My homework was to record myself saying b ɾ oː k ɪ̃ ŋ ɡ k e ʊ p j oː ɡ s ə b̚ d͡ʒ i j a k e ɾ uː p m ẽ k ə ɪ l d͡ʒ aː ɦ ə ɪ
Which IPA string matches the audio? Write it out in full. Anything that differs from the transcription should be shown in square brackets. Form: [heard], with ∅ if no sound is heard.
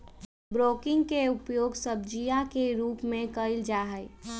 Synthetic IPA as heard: b ɾ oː k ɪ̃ ŋ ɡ k e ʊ p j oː ɡ s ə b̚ d͡ʒ i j a k e ɾ uː p m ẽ k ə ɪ l d͡ʒ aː ɦ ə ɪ